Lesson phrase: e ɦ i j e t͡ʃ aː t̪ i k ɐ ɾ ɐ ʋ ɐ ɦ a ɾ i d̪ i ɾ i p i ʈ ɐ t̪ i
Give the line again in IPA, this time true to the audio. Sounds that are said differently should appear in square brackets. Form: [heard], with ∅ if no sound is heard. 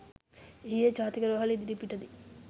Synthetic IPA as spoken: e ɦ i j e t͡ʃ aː t̪ i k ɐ ɾ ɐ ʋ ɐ ɦ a [l] i d̪ i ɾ i p i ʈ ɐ [d̪] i